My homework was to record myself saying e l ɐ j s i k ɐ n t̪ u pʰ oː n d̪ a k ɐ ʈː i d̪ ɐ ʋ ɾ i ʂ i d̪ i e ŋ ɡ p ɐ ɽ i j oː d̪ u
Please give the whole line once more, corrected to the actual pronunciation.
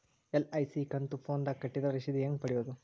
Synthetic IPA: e l ɐ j s i k ɐ n t̪ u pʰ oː n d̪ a k ɐ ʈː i d̪ ɐ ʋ ɾ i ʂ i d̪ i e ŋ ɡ p ɐ ɽ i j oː d̪ u